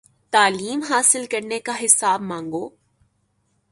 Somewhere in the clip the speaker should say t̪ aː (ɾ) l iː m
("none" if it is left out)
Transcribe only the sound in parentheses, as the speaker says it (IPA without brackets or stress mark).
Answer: none